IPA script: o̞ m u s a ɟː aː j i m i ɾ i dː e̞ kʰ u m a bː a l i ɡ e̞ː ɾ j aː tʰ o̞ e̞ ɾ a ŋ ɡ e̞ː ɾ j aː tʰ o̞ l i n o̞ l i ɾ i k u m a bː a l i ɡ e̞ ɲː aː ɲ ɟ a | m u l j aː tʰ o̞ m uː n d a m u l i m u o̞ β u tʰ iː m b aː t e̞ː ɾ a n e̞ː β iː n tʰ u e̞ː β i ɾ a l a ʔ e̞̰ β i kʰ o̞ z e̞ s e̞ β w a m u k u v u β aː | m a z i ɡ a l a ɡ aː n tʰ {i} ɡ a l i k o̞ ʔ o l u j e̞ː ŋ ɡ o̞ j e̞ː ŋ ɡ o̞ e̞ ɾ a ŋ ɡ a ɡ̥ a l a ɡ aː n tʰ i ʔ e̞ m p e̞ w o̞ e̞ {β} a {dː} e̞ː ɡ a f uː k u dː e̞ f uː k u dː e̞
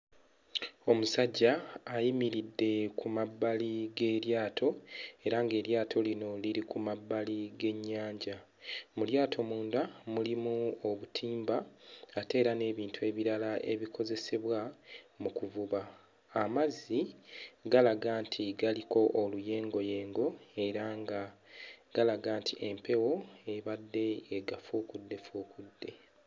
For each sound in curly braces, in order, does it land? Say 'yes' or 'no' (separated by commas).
yes, yes, yes